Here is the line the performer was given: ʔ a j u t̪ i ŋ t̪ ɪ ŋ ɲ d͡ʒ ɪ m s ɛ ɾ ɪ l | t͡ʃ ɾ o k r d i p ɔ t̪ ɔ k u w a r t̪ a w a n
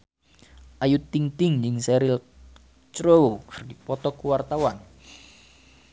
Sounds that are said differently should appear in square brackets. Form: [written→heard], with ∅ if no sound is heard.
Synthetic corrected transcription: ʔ a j u t̪ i ŋ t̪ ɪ ŋ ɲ d͡ʒ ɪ [m→ŋ] s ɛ ɾ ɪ l | t͡ʃ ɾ o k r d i p ɔ t̪ ɔ k u w a r t̪ a w a n